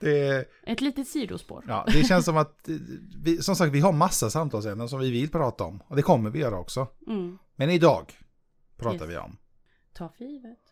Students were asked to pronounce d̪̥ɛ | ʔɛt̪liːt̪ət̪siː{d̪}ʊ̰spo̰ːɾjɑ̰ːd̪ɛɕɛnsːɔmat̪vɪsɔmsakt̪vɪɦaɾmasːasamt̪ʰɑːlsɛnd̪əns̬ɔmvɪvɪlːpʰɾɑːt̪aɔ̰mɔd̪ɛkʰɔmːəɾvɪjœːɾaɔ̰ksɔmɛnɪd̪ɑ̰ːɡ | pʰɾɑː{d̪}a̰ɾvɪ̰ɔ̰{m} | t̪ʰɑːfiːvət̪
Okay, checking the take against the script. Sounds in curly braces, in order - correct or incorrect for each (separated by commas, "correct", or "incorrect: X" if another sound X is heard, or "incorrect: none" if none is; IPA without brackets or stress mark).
correct, incorrect: t̪, correct